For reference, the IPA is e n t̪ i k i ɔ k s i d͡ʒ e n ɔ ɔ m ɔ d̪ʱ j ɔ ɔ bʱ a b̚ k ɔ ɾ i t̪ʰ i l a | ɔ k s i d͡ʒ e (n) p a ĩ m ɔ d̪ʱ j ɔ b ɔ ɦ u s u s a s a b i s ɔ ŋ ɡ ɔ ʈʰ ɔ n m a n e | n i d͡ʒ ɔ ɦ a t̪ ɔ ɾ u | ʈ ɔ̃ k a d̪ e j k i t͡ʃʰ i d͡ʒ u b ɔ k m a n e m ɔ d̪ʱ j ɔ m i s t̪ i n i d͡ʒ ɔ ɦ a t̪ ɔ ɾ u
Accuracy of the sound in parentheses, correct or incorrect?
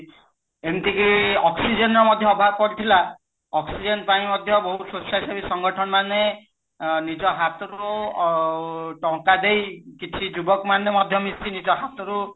correct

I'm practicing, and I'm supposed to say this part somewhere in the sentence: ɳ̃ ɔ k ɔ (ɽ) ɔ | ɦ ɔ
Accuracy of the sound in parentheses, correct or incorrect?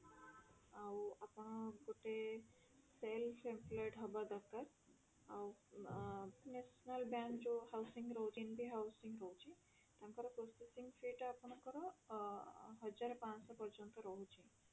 incorrect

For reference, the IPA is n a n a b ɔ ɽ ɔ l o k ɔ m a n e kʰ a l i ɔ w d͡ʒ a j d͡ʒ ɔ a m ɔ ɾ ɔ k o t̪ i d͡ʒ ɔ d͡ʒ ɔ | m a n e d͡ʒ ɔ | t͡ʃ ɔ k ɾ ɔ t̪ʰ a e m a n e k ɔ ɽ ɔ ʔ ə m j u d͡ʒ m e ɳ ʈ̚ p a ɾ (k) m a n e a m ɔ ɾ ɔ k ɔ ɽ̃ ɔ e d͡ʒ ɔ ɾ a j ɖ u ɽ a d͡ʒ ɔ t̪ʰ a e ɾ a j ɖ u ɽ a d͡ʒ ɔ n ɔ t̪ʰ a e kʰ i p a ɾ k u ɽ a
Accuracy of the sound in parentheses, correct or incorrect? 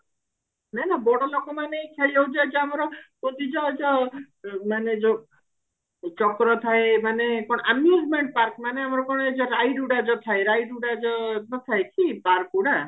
correct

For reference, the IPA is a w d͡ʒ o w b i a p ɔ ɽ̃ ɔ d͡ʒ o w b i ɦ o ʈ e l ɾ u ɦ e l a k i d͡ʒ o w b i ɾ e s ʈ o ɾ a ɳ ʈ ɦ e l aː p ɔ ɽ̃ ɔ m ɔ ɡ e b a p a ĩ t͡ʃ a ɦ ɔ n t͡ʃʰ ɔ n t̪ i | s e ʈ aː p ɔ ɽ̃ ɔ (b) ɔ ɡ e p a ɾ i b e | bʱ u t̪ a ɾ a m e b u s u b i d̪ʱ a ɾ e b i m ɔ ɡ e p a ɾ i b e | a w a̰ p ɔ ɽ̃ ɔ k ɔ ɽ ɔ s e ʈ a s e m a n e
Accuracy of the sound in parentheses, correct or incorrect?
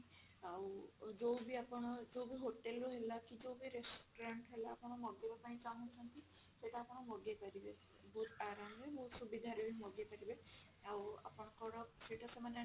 incorrect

